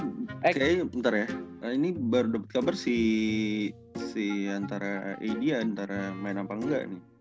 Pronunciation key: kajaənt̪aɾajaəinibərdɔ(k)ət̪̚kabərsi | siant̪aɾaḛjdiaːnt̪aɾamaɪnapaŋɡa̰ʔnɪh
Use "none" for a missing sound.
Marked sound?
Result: p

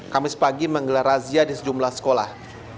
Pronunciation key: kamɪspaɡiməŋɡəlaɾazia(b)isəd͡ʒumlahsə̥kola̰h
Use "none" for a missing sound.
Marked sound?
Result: d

